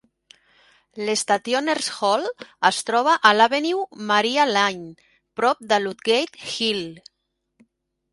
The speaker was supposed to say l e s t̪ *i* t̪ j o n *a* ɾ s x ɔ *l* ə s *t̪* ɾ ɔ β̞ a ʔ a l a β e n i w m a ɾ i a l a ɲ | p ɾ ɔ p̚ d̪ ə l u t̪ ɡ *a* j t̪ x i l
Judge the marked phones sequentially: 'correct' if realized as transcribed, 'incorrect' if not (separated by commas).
incorrect, incorrect, correct, correct, incorrect